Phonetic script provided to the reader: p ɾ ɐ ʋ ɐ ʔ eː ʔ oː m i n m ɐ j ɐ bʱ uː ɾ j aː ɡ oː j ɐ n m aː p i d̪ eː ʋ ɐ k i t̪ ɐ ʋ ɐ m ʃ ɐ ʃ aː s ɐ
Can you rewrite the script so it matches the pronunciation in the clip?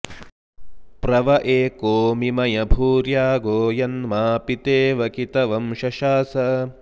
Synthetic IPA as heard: p ɾ ɐ ʋ ɐ ʔ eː k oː m i m ɐ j ɐ bʱ uː ɾ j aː ɡ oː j ɐ n m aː p i t̪ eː ʋ ɐ k i t̪ ɐ ʋ ɐ m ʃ ɐ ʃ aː s ɐ